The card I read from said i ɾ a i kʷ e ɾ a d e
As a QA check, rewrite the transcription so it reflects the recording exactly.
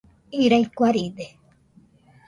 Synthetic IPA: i ɾ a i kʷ a ɾ i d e